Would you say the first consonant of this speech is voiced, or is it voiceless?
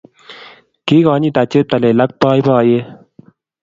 voiceless